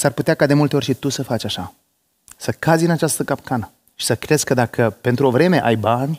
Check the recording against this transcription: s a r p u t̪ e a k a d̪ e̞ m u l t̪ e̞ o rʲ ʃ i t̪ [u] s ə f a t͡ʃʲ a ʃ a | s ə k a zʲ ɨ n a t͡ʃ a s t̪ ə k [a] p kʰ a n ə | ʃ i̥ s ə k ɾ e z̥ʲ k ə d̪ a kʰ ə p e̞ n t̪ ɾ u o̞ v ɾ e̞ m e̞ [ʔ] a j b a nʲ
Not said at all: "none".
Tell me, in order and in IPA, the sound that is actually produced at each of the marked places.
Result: u, a, ʔ

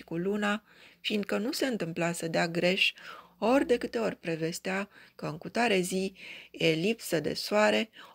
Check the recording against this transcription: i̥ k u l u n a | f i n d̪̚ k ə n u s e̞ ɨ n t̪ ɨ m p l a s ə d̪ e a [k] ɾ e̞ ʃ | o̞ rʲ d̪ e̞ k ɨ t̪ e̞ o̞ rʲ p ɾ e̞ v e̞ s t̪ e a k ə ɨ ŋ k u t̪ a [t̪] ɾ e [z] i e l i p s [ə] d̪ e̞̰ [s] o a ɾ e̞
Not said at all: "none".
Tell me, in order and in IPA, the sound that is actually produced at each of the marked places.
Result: ɡ, none, z, ə, s

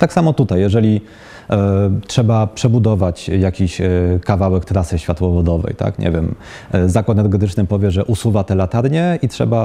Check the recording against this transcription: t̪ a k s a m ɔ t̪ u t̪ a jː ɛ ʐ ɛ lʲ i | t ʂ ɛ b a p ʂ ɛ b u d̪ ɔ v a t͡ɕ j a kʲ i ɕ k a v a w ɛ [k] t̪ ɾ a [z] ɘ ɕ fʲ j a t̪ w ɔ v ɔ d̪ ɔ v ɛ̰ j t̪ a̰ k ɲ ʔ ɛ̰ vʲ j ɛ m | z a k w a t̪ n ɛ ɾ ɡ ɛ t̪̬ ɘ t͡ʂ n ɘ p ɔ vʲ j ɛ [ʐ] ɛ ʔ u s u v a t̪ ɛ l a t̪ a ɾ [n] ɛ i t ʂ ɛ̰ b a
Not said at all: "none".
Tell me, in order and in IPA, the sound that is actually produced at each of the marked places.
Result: k, s, ʐ, ɲ

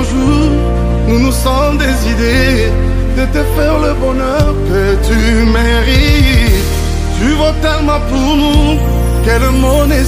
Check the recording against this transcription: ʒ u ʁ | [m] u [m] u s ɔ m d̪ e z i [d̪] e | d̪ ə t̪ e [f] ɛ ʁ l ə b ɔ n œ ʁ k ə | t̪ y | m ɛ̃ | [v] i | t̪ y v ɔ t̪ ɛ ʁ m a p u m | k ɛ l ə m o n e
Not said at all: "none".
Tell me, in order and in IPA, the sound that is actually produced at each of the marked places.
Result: n, n, d̪, f, ʁ

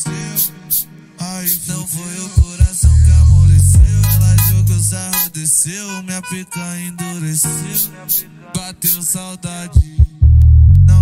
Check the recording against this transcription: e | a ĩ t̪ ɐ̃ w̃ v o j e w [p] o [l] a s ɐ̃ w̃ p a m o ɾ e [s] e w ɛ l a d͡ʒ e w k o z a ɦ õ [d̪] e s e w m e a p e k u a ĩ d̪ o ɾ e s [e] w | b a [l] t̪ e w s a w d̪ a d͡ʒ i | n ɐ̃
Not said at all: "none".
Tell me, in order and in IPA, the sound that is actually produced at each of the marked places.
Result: k, ɾ, s, d̪, e, none

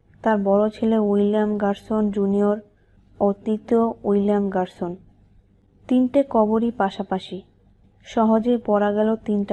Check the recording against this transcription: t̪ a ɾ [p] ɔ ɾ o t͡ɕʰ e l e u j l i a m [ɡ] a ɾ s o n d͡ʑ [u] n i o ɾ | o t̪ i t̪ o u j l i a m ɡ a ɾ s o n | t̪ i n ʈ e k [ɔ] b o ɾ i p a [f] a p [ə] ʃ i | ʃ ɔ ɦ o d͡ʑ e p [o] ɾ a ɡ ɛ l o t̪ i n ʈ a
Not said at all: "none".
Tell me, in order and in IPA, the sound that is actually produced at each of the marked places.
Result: b, ɡ, u, ɔ, ʃ, a, ɔ

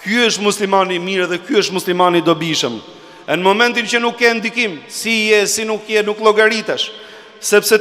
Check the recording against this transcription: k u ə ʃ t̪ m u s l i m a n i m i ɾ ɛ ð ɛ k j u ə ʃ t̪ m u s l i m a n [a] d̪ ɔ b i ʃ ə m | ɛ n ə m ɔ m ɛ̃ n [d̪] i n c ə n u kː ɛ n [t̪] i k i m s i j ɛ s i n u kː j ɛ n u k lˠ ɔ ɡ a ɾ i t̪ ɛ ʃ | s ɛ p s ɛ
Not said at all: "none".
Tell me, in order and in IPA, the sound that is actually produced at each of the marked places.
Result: i, t̪, d̪

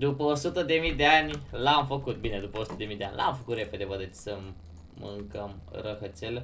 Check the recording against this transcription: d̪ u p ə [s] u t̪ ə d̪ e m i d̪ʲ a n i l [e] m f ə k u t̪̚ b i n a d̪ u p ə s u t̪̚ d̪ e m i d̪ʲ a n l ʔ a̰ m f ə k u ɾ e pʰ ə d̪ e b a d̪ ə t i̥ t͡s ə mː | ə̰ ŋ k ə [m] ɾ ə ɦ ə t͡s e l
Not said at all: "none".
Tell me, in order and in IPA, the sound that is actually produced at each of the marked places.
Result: s, a, m

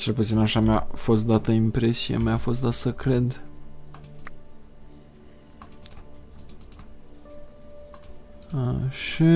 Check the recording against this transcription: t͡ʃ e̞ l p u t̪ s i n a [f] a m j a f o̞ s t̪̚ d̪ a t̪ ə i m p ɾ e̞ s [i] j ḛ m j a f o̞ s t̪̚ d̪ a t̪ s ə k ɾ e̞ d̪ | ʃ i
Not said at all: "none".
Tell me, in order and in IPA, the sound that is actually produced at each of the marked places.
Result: ʃ, i

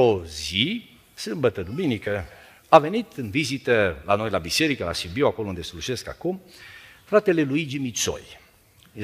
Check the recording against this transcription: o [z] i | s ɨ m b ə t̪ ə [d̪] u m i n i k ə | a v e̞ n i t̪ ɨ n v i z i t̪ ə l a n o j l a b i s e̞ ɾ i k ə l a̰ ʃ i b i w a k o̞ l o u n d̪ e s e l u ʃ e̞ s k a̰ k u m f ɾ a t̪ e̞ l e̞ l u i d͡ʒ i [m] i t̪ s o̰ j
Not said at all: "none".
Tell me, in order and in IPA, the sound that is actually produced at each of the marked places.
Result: z, d̪, m

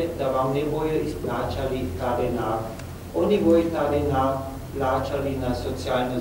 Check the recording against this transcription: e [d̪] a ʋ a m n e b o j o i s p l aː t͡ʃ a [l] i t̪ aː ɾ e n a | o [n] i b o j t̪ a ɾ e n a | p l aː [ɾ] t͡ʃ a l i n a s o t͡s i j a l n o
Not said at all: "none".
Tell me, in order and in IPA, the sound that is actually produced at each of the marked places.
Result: d̪, l, n, none

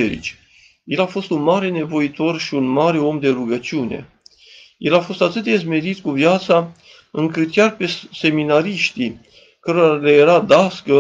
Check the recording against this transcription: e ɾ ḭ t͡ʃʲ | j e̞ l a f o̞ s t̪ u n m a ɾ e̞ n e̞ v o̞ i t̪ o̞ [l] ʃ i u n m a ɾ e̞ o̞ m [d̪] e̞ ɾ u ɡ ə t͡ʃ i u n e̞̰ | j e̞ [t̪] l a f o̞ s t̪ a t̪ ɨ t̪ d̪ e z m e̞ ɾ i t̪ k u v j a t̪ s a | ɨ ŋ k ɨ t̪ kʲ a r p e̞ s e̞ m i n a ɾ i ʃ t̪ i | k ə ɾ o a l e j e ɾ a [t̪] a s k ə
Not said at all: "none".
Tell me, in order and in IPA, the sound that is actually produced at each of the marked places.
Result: r, d̪, none, d̪

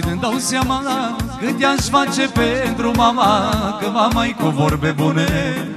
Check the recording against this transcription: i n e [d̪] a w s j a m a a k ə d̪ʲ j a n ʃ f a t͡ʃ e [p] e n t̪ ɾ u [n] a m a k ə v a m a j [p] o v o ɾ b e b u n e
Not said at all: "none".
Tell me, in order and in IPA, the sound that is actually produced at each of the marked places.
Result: d̪, p, m, k

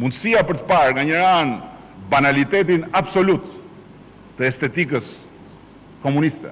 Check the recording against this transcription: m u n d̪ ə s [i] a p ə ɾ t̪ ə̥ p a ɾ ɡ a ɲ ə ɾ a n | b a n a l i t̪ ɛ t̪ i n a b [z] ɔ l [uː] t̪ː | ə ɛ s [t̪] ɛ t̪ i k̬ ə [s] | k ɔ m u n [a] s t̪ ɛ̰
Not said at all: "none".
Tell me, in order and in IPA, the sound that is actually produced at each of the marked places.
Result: i, s, u, t̪, s, i

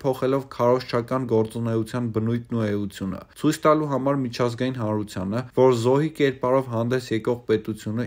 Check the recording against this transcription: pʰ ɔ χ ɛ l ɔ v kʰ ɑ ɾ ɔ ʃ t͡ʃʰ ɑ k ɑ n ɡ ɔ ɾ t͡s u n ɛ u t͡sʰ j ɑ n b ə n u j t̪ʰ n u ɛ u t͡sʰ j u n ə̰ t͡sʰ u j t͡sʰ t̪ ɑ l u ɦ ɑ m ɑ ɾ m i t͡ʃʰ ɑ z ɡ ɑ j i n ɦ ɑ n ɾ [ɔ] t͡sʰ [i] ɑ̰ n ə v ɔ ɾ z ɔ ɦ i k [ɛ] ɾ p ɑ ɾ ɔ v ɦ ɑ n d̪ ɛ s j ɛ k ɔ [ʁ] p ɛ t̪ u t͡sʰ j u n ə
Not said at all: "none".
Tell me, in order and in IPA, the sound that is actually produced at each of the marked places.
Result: u, j, ɛ, ʁ

